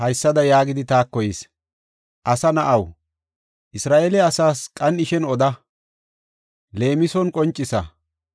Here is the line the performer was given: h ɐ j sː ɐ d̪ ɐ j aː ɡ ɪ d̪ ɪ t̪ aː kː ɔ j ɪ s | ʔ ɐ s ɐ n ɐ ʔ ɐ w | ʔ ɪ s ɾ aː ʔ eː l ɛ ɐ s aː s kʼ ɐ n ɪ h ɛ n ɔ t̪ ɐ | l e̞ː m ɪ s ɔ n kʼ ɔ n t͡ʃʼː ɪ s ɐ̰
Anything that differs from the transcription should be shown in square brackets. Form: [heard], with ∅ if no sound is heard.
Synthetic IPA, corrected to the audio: h ɐ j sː ɐ d̪ ɐ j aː ɡ ɪ d̪ ɪ t̪ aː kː ɔ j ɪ s | ʔ ɐ s ɐ n ɐ ʔ ɐ w | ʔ ɪ s ɾ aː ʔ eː l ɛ ɐ s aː s kʼ ɐ n ɪ [ʃ] ɛ n ɔ [d̪] ɐ | l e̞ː m ɪ s ɔ n kʼ ɔ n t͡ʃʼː ɪ s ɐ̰